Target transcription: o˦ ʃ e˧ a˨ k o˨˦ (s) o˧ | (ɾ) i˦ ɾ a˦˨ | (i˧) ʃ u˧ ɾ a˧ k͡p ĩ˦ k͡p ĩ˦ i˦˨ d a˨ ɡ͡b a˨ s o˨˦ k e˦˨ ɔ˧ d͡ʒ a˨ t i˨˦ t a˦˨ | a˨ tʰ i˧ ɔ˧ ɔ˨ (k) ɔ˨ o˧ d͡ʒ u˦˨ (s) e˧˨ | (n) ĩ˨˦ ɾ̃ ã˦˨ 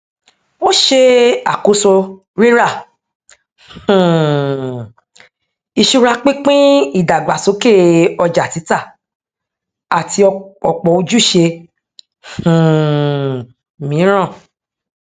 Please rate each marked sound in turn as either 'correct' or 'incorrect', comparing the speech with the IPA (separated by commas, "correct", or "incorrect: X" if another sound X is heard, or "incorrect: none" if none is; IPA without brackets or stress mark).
correct, correct, correct, incorrect: k͡p, incorrect: ʃ, incorrect: m